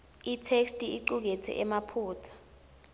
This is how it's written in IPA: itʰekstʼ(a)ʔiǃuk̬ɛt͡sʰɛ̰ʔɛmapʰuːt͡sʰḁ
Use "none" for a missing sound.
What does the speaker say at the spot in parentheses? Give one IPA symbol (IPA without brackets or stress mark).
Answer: i